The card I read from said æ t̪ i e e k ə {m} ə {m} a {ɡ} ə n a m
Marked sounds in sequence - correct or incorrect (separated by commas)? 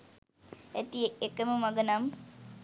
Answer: correct, correct, correct